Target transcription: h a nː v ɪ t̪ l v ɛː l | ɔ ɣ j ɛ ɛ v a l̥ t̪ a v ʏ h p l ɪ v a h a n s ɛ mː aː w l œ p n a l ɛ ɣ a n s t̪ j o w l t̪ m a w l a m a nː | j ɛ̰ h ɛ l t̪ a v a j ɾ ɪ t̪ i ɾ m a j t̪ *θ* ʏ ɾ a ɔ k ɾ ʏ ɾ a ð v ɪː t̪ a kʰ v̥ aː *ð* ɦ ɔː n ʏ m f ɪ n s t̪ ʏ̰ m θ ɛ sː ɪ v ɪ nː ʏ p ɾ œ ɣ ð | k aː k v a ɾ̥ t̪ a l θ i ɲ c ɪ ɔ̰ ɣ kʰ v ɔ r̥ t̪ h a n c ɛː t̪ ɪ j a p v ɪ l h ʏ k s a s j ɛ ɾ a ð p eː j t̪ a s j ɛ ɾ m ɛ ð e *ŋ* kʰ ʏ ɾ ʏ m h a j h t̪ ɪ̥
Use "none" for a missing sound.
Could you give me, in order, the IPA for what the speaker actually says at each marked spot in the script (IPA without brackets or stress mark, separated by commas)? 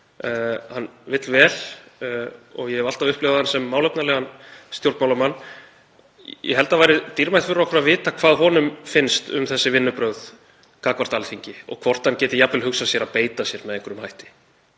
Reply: f, ð, ŋ